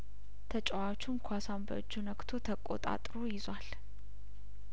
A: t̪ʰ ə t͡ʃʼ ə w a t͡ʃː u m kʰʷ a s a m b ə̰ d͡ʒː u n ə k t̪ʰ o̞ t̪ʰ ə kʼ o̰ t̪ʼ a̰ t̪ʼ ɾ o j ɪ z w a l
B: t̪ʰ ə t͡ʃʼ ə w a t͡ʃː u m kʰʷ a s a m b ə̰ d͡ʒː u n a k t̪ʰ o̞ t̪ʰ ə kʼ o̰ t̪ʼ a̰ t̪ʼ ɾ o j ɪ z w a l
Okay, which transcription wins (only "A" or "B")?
A